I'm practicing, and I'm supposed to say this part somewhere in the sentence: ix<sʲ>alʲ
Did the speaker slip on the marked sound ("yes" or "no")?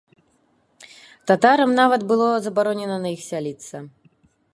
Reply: no